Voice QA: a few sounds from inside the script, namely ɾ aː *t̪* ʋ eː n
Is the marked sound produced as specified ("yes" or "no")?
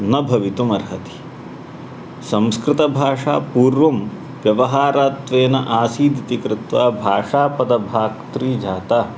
yes